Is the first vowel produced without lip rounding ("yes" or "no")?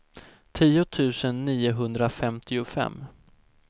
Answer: yes